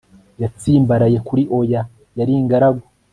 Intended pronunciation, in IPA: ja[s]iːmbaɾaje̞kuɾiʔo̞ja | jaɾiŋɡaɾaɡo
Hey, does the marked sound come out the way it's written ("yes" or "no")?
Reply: no